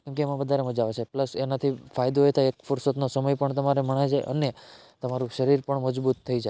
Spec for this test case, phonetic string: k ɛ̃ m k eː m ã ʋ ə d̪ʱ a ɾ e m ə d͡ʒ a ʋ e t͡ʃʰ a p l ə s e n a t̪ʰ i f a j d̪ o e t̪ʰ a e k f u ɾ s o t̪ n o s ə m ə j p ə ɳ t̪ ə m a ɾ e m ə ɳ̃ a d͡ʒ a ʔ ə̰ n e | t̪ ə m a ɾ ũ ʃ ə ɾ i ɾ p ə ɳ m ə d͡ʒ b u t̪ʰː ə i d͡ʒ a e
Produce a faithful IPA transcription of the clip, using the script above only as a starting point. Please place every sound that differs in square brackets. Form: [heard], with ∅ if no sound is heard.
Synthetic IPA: k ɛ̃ m k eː m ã ʋ ə d̪ʱ a ɾ e m ə d͡ʒ a ʋ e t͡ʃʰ [e] p l ə s e n a t̪ʰ i f a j d̪ o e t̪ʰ a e k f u ɾ s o t̪ n o s ə m ə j p ə ɳ t̪ ə m a ɾ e m ə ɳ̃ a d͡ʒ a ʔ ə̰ n e | t̪ ə m a ɾ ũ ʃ ə ɾ i ɾ p ə ɳ m ə d͡ʒ b u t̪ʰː ə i d͡ʒ a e